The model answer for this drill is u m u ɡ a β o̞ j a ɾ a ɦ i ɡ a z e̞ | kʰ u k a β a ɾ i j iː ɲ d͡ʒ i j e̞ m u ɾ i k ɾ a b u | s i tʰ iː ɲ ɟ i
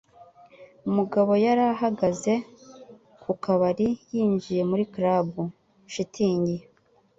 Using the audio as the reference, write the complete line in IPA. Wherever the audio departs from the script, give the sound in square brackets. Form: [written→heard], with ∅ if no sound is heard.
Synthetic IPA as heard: u m u ɡ a β o̞ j a ɾ a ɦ [i→a] ɡ a z e̞ | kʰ u k a β a ɾ i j iː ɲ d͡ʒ i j e̞ m u ɾ i k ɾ a b u | [s→ʃ] i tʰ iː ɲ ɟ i